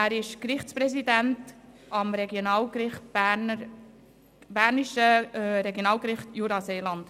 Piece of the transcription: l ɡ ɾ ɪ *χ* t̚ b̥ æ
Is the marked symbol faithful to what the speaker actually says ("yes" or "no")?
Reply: yes